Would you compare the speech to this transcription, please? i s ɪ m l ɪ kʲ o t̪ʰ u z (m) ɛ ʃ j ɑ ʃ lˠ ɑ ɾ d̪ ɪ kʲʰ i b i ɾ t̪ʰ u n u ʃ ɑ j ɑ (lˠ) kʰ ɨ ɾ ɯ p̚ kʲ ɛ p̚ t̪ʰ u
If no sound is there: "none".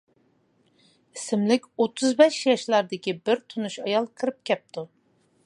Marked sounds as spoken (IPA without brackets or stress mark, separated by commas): b, lˠ